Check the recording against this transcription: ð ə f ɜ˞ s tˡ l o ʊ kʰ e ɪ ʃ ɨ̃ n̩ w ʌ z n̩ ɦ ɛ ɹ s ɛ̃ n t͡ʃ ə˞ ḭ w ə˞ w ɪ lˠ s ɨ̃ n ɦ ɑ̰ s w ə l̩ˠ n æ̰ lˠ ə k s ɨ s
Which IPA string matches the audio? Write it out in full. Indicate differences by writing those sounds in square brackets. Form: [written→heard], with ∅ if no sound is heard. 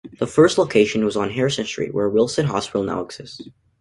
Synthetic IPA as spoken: ð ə f ɜ˞ s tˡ l o ʊ kʰ e ɪ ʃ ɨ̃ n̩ w ʌ z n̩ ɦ ɛ ɹ s ɛ̃ n t͡ʃ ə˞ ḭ w ə˞ w ɪ lˠ s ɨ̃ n ɦ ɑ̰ s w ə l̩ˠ n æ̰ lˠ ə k s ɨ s